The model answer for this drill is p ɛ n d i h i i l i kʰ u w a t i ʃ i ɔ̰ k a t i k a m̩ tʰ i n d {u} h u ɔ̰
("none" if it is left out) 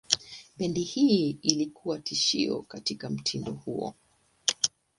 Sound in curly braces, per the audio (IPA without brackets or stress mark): ɔ